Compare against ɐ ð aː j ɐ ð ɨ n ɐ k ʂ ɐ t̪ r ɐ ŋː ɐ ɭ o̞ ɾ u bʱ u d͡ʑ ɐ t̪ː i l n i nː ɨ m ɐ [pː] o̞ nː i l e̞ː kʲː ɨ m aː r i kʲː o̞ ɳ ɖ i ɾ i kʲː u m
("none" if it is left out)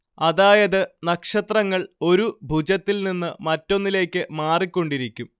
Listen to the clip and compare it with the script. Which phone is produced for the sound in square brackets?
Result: tː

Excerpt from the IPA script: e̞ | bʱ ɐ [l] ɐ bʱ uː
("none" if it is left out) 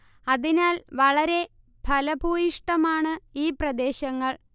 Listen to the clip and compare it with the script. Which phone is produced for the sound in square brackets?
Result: l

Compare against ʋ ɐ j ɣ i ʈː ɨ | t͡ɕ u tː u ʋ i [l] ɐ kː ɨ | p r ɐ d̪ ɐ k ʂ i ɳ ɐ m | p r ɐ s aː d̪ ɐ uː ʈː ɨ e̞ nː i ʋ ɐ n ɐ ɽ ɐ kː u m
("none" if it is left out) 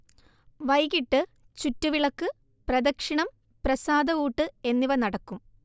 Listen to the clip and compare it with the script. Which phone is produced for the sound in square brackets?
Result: ɭ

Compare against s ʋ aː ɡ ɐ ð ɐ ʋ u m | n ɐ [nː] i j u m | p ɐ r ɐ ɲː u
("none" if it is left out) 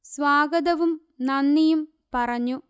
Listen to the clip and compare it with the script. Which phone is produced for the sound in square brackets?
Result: nː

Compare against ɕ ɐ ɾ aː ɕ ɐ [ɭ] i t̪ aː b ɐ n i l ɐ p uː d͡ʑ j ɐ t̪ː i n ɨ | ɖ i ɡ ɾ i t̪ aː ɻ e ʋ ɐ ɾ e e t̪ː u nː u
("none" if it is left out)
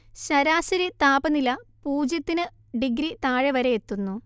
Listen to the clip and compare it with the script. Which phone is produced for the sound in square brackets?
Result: ɾ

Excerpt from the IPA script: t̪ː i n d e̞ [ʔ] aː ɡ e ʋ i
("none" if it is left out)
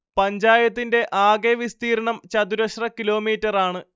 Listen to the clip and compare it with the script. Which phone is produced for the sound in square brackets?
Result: ʔ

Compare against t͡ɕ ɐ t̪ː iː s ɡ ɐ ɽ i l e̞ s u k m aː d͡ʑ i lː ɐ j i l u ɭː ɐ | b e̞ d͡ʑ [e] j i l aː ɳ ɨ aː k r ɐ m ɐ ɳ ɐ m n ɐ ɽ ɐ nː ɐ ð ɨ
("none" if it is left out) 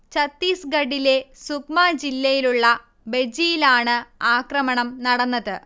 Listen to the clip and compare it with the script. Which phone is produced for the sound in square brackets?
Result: i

